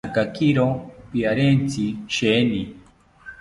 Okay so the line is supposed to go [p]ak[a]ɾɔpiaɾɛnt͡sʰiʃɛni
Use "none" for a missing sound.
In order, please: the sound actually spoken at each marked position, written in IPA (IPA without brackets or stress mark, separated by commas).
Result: k, i